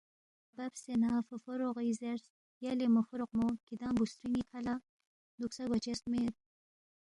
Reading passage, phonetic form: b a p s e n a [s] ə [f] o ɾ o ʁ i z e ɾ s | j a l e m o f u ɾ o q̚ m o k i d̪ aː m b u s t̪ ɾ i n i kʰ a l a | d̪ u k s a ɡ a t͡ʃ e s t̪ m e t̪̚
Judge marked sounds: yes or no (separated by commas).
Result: no, yes